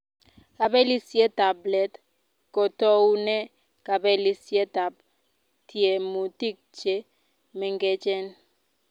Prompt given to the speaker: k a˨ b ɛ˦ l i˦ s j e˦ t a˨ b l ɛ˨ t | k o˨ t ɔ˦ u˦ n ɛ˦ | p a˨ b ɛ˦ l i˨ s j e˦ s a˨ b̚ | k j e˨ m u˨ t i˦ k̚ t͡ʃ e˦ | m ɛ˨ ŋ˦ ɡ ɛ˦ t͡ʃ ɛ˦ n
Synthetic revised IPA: k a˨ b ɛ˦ l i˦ s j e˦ t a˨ b l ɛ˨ t | k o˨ t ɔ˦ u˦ n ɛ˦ | k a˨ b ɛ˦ l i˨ s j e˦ t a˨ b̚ | t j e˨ m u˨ t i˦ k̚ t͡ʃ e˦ | m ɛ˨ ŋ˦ ɡ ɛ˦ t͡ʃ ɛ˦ n